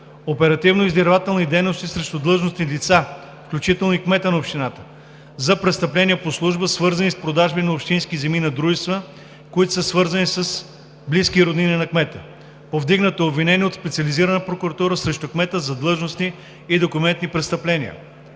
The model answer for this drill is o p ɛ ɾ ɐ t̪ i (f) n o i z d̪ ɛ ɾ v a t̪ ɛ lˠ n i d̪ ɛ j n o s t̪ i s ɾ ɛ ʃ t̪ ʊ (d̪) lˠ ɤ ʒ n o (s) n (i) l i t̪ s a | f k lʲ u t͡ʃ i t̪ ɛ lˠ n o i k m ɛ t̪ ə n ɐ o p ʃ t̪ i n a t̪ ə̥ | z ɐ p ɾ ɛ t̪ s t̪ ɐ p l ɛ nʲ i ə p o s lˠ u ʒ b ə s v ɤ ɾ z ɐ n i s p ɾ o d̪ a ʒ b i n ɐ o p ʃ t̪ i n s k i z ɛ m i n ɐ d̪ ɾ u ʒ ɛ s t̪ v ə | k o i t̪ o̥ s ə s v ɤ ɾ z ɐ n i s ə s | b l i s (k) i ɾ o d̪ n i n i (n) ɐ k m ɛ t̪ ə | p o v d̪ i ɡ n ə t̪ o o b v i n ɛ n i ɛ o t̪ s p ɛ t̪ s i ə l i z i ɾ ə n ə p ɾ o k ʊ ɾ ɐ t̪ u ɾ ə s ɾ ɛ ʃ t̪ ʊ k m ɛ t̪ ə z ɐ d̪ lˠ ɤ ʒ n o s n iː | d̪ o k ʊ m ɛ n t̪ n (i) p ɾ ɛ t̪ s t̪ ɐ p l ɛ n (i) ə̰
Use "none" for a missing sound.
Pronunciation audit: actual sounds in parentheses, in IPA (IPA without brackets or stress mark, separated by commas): v, d̪, s, i, k, n, i, i